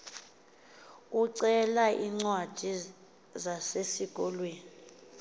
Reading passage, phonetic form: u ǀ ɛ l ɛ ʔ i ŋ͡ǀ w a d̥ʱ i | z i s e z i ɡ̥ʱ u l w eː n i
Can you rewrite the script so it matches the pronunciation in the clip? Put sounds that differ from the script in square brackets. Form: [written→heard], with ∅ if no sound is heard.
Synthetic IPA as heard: u ǀ ɛ l [ɛ→a] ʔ i ŋ͡ǀ w a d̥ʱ i | z [i→a] s e [z→s] i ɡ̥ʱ [u→ɔ] l w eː n i